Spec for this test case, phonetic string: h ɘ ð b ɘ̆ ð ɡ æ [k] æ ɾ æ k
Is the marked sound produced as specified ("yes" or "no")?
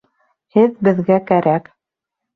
yes